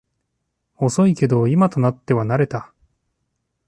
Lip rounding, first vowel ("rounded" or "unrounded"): rounded